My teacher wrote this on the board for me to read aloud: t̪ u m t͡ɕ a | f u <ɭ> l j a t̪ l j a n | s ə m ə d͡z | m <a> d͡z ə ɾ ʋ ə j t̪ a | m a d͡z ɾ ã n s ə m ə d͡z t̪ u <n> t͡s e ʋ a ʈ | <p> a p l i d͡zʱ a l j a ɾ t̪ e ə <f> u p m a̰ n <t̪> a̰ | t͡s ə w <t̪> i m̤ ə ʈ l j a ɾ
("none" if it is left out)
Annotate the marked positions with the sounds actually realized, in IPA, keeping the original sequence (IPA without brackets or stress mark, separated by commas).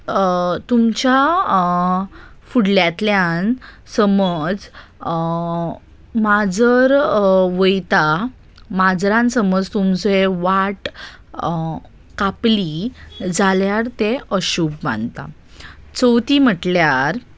ɽ, a, m, k, ɕ, t̪, t̪